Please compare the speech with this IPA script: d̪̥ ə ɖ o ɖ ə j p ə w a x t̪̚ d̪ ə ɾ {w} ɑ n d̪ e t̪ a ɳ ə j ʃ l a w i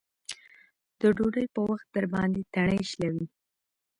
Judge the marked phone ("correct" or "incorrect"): incorrect